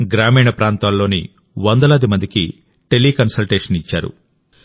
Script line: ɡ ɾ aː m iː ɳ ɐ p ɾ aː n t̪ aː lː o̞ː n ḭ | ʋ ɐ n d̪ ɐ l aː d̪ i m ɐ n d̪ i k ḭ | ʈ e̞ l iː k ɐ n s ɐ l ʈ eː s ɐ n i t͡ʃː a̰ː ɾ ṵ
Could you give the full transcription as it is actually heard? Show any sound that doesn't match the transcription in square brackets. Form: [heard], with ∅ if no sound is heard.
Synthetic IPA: ɡ ɾ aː m iː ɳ ɐ p ɾ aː n t̪ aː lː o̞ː n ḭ | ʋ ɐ n d̪ ɐ l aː d̪ i m ɐ n d̪ i k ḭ | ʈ e̞ l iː k ɐ n s ɐ l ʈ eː [ʂ] ɐ n i t͡ʃː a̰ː ɾ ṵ

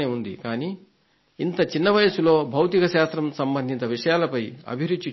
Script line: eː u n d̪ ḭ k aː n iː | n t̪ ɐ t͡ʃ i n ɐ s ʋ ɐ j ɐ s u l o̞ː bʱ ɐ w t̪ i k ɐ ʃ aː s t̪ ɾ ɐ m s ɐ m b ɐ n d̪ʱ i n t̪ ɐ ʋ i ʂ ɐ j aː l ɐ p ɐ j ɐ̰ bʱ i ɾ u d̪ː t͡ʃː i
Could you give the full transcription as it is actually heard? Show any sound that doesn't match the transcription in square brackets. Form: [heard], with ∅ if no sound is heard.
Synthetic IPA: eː u n d̪ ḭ k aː n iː | n t̪ ɐ t͡ʃ i [nː] ɐ [∅] ʋ ɐ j ɐ s u l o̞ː bʱ ɐ w t̪ i k ɐ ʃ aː s t̪ ɾ ɐ m s ɐ m b ɐ n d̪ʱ i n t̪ ɐ ʋ i ʂ ɐ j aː l ɐ p ɐ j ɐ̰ bʱ i ɾ u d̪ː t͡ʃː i

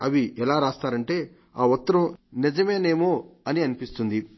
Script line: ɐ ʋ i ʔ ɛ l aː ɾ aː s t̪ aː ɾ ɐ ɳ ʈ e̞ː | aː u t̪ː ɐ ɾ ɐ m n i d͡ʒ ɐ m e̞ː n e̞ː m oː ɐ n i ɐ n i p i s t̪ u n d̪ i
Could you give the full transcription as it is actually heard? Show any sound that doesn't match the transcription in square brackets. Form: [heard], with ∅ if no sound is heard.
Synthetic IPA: ɐ ʋ i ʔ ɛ l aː ɾ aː s t̪ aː ɾ ɐ ɳ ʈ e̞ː | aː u t̪ː ɐ ɾ ɐ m n i d͡ʒ ɐ m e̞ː n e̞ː m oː ɐ n i ɐ n i p i s t̪ u n d̪ i

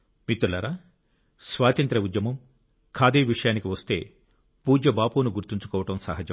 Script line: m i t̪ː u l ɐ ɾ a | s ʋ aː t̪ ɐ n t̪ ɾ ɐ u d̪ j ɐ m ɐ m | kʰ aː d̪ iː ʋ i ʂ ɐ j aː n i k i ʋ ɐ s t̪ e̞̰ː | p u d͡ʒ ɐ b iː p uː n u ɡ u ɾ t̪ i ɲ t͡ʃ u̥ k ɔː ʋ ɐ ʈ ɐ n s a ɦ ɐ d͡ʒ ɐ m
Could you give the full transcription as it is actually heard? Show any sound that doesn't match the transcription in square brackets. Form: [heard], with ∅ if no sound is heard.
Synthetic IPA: m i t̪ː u l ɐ ɾ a | s ʋ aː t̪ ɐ n t̪ ɾ ɐ u d̪ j ɐ m ɐ m | kʰ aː d̪ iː ʋ i ʂ ɐ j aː n i k i ʋ ɐ s t̪ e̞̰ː | p [uː] d͡ʒ ɐ b [aː] p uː n u ɡ u ɾ t̪ i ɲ t͡ʃ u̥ k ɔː ʋ ɐ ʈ ɐ [m] s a ɦ ɐ d͡ʒ ɐ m

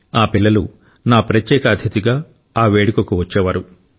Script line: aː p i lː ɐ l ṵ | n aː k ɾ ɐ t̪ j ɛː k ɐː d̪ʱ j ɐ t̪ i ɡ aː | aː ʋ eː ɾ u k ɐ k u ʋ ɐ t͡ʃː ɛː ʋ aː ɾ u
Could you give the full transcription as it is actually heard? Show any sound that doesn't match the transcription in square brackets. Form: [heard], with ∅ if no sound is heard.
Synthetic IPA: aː p i lː ɐ l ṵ | n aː [p] ɾ ɐ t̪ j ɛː k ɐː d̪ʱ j ɐ t̪ i ɡ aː | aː ʋ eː [ɽ] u k ɐ k u ʋ ɐ t͡ʃː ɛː ʋ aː ɾ u

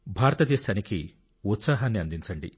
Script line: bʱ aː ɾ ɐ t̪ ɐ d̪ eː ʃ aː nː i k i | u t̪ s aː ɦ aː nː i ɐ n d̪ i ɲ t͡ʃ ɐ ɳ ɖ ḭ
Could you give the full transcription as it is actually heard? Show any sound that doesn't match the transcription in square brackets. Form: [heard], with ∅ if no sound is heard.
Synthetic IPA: bʱ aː ɾ ɐ t̪ ɐ d̪ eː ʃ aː [n] i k i | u t̪ s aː ɦ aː nː i ɐ n d̪ i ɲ t͡ʃ ɐ ɳ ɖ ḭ

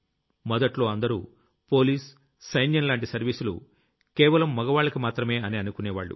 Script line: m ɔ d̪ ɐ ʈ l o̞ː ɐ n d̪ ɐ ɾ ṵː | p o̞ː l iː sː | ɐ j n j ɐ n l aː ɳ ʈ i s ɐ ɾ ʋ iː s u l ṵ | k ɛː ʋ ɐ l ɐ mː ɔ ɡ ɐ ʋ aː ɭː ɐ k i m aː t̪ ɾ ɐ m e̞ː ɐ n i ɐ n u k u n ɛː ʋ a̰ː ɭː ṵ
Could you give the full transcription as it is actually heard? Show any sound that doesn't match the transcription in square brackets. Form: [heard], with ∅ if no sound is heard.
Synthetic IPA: m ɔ d̪ ɐ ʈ l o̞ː ɐ n d̪ ɐ ɾ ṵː | p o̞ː l iː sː | ɐ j n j ɐ n l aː ɳ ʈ i s ɐ ɾ ʋ iː s u l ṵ | k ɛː ʋ ɐ l ɐ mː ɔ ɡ ɐ ʋ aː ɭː ɐ k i m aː t̪ ɾ ɐ m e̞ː ɐ n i ɐ n u k u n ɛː ʋ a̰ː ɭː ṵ

